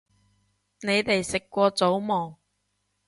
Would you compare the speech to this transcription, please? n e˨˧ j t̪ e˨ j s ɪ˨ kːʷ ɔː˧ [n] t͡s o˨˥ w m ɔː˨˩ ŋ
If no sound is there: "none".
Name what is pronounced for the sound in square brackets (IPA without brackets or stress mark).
none